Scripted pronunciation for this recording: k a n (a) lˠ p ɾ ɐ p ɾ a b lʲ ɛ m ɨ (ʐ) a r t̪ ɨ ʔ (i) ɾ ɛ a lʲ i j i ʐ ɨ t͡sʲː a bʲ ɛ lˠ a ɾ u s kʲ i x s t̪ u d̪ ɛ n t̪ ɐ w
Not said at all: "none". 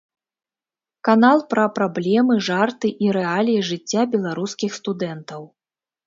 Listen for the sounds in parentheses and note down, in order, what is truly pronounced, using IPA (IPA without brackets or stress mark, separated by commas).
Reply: a, ʐ, i